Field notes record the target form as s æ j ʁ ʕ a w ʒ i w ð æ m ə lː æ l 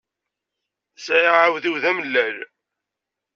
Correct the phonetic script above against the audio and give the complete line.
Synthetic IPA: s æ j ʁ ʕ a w ð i w ð æ m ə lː æ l